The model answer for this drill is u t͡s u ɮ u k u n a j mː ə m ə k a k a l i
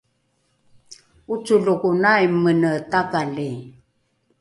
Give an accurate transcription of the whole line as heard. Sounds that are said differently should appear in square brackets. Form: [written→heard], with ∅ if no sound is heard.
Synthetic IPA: u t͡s u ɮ u k u n a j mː ə [m→n] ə [k→t] a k a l i